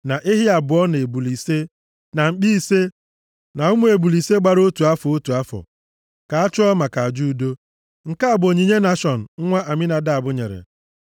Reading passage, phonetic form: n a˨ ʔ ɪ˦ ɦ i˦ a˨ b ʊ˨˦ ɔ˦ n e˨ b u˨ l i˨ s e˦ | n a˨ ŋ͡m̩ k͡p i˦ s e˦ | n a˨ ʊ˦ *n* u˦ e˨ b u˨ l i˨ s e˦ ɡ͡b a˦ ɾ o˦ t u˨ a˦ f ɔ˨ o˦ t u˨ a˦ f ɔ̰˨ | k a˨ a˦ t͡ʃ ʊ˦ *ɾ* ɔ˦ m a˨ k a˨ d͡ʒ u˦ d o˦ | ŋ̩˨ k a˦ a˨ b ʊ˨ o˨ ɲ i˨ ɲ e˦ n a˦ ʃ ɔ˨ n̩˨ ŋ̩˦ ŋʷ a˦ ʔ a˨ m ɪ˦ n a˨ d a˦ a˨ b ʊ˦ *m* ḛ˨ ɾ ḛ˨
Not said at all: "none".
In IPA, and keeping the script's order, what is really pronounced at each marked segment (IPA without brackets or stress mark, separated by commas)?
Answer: m, none, ɲ